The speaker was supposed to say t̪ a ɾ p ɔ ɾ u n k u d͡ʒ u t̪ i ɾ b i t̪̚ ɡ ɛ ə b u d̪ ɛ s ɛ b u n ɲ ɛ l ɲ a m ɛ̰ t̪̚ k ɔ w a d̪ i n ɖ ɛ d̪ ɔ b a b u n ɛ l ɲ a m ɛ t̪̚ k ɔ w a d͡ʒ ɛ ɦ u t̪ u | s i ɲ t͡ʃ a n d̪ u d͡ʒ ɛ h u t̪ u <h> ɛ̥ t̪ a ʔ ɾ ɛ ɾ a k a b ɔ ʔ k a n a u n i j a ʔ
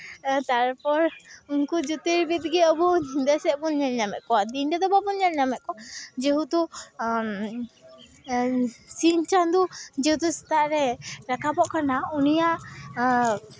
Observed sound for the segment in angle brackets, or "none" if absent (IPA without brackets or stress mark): s